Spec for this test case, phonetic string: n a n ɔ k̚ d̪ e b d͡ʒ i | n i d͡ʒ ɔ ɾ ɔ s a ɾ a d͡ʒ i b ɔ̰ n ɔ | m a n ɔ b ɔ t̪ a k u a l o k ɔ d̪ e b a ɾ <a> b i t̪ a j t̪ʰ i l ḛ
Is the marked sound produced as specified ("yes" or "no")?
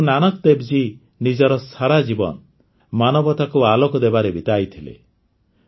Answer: no